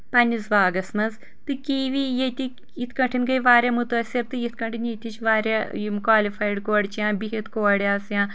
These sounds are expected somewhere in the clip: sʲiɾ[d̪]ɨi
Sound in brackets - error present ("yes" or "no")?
yes